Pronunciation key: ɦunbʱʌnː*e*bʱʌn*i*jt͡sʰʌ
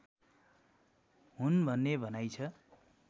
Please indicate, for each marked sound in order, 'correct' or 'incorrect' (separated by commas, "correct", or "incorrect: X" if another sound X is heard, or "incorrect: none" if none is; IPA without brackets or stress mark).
correct, incorrect: a